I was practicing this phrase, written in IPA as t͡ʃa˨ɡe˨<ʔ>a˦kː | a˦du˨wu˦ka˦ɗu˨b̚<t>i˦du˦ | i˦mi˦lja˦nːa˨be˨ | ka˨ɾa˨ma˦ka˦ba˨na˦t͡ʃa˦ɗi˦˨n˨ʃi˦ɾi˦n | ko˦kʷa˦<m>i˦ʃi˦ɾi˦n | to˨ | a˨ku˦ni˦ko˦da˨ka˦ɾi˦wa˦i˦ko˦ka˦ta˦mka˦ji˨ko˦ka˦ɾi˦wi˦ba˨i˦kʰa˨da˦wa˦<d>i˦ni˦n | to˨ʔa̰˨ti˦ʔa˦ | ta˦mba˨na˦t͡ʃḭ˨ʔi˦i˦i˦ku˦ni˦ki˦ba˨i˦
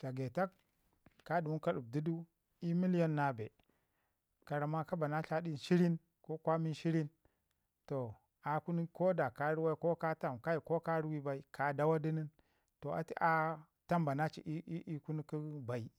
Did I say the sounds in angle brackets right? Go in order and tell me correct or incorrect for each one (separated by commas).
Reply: incorrect, incorrect, correct, correct